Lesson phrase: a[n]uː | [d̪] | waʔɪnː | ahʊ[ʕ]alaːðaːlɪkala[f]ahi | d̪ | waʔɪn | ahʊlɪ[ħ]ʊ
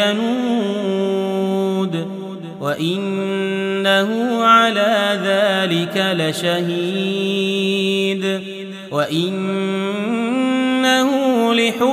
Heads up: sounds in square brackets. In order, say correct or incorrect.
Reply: correct, correct, correct, incorrect, correct

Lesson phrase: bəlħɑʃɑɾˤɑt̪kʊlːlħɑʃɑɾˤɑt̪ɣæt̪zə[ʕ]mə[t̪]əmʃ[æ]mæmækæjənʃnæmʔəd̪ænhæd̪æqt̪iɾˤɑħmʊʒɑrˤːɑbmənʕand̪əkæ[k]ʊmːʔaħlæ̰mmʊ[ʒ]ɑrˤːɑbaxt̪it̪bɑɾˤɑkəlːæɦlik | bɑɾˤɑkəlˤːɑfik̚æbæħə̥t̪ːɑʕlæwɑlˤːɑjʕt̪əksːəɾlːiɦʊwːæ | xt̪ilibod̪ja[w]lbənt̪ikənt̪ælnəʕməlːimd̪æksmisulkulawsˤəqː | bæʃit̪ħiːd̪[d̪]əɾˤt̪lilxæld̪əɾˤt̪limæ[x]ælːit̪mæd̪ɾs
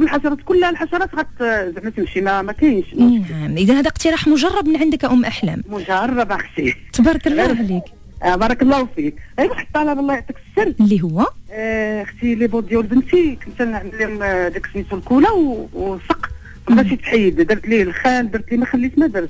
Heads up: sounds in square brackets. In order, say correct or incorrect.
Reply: correct, correct, incorrect, incorrect, correct, correct, correct, correct

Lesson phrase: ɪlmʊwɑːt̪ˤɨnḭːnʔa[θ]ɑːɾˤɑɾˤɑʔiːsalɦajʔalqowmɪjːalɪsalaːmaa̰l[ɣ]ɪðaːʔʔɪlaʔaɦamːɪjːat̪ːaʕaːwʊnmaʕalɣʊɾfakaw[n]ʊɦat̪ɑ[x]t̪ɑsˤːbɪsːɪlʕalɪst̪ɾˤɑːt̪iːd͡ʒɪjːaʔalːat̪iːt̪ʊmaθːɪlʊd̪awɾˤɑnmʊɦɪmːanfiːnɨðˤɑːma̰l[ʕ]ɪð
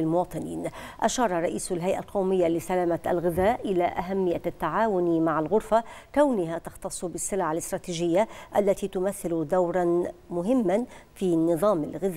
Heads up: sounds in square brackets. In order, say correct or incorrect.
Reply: incorrect, correct, correct, correct, incorrect

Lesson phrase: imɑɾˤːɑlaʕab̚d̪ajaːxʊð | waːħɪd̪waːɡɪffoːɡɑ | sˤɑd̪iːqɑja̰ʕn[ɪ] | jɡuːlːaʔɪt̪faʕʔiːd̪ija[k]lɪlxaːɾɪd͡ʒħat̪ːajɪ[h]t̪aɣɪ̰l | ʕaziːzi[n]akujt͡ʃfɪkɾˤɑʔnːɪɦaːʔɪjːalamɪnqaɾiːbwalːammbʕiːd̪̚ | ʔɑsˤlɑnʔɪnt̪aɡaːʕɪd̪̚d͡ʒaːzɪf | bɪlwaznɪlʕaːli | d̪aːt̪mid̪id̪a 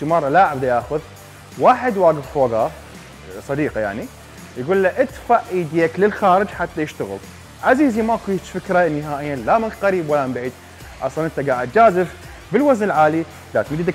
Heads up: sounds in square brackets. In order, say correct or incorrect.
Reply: incorrect, correct, incorrect, incorrect

